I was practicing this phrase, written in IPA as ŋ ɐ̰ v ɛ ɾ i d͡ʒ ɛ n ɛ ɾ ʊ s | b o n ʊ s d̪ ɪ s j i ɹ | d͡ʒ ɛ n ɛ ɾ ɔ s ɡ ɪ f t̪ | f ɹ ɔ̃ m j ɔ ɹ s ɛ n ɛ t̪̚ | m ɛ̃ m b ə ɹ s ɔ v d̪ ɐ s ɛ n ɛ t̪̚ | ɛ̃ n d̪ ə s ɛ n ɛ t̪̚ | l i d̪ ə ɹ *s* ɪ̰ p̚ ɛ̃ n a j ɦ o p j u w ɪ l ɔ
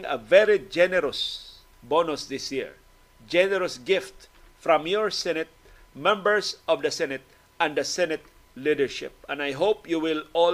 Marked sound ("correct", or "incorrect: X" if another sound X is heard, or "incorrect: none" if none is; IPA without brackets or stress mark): incorrect: ʃ